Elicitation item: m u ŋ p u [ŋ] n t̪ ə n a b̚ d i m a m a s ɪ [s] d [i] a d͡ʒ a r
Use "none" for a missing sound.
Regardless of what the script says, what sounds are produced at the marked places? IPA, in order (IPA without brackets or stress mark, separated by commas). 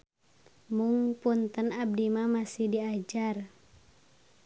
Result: none, h, i